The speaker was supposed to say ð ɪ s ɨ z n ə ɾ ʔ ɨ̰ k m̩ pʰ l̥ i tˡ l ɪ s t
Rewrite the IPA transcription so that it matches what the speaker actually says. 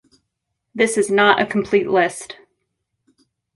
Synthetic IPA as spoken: ð ɪ s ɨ z n ə ɾ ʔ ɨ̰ kʰ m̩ pʰ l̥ i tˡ l ɪ s t